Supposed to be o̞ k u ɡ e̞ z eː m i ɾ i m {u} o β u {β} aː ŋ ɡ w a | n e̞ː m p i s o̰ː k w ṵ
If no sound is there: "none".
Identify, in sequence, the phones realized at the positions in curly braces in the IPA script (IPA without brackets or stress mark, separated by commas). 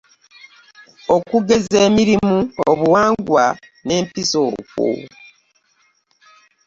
u, w